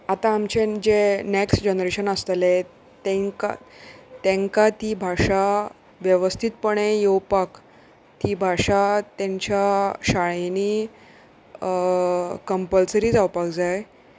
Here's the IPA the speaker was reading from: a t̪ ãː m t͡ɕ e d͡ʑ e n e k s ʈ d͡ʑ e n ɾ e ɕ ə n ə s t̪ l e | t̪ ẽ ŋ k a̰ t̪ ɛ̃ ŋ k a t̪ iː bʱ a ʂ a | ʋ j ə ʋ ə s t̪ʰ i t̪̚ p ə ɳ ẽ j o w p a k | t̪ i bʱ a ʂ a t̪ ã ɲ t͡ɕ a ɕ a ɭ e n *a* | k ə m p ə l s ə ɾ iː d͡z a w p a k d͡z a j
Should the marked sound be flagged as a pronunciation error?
yes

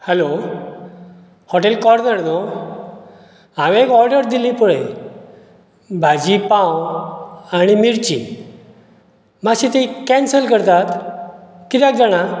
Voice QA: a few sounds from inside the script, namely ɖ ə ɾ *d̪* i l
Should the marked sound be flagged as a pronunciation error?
no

